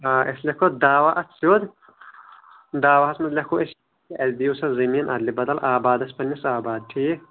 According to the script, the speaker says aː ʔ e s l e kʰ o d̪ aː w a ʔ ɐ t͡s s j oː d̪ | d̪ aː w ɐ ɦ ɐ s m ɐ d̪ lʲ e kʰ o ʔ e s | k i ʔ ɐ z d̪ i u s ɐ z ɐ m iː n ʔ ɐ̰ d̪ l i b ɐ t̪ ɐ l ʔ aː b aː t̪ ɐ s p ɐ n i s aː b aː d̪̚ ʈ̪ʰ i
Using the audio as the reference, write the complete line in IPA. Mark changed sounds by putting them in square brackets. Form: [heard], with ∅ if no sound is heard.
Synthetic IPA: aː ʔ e s l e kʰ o d̪ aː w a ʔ ɐ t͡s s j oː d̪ | d̪ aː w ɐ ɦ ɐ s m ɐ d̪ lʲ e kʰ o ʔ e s | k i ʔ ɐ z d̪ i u s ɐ z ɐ m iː n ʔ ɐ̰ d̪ l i b ɐ [d̪] ɐ l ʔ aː b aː [d̪] ɐ s p ɐ n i s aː b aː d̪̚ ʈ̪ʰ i